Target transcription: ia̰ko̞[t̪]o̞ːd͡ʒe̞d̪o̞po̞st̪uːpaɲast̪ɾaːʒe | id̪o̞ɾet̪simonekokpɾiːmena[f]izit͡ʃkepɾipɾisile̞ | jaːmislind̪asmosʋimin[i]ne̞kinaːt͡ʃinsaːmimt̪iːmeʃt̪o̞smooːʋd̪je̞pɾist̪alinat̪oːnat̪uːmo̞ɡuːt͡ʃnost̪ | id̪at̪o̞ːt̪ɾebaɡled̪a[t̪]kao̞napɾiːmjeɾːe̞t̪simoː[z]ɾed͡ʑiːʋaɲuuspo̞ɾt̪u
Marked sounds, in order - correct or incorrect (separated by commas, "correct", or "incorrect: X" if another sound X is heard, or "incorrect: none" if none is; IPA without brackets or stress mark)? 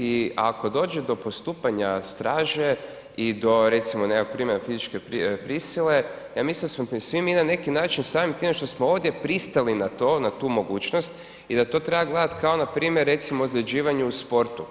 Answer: incorrect: d̪, correct, incorrect: a, correct, correct